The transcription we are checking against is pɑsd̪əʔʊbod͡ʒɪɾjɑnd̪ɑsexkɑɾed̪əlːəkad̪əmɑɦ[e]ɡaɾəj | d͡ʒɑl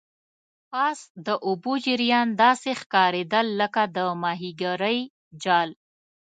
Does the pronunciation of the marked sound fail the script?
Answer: yes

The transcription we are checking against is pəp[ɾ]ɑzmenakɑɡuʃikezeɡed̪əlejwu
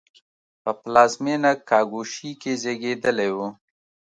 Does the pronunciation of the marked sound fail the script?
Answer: yes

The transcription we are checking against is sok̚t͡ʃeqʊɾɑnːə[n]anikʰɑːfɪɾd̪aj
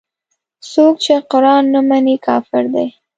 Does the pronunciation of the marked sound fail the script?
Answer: yes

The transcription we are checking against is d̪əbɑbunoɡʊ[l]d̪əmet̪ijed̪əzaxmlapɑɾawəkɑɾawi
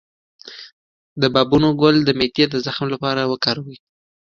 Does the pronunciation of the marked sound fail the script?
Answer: no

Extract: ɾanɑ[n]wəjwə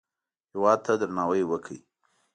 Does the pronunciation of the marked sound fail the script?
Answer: yes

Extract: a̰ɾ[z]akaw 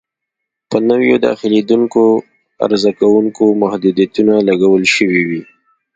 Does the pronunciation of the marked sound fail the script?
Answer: no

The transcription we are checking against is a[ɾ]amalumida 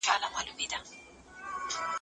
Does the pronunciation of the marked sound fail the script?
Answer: yes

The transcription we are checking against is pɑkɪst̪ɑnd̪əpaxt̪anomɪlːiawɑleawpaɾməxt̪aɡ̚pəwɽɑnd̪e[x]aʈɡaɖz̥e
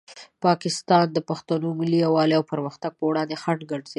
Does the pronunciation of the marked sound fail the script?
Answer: no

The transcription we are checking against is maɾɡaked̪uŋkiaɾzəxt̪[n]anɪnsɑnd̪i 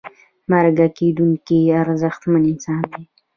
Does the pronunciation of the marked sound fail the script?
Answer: yes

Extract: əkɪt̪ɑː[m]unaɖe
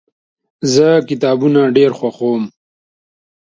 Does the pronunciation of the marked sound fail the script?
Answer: yes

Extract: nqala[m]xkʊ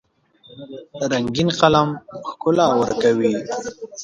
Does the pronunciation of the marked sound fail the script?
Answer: no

